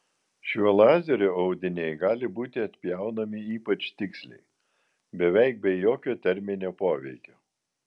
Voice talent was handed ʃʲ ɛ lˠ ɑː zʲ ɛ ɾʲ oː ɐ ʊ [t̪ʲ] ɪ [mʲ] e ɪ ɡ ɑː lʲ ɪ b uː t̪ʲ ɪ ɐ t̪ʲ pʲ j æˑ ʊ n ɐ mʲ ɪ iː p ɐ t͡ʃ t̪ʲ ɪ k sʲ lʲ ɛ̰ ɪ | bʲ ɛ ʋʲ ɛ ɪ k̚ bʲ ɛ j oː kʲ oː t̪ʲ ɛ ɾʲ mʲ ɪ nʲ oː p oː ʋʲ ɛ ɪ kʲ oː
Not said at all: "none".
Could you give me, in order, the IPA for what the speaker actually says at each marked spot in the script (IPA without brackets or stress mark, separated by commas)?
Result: d̪ʲ, nʲ